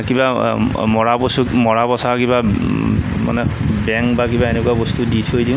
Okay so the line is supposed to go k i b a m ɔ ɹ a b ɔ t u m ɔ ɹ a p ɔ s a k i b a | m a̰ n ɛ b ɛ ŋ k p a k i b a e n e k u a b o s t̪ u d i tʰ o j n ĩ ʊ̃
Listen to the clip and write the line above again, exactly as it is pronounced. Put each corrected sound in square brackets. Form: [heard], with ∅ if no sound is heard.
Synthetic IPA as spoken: k i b a m ɔ ɹ a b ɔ [s] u m ɔ ɹ a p ɔ s a k i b a | m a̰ n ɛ b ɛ ŋ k [b] a k i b a e n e k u a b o s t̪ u d i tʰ o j [d] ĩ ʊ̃